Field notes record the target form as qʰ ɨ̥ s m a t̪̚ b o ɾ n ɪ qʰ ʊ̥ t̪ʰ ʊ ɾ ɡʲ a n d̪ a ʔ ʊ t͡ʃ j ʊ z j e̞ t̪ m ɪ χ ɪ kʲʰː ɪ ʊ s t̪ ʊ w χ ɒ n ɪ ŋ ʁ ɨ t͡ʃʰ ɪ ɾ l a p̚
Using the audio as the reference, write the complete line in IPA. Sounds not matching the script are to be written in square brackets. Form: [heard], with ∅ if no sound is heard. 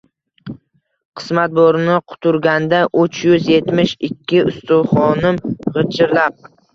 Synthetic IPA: qʰ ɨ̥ s m a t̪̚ b o ɾ n ɪ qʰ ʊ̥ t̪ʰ ʊ ɾ ɡʲ a n d̪ a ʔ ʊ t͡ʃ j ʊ z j e̞ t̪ m ɪ [ʃ] ɪ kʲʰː ɪ ʊ s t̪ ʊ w χ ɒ n ɪ [m] ʁ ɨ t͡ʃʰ ɪ ɾ l a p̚